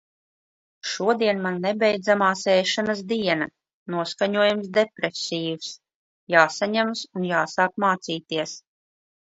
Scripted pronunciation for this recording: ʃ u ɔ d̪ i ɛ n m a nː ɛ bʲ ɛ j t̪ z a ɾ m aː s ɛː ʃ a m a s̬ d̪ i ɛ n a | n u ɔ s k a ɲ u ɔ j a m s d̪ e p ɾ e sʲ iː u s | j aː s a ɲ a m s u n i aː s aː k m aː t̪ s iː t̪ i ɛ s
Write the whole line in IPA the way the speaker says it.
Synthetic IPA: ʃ u ɔ d̪ i ɛ n m a nː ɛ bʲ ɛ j d̪ z a m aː s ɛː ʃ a n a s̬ d̪ i ɛ n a | n u ɔ s k a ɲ u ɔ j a m s d̪ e p ɾ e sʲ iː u s | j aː s a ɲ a m s u n j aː s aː k m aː t̪ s iː t̪ i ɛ s